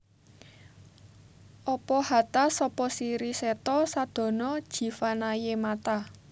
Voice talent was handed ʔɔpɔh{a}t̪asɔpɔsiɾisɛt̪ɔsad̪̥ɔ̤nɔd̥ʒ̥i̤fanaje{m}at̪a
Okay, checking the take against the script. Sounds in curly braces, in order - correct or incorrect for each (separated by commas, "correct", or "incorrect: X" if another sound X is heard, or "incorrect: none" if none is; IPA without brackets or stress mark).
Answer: correct, correct